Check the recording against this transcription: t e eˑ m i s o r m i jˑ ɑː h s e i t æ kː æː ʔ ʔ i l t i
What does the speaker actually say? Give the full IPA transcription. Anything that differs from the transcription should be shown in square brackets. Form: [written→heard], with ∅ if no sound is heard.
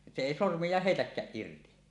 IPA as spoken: [t→s] e eˑ [m→∅] i s o r m i jˑ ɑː h [s→h] e i t æ kː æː ʔ ʔ i [l→r] t i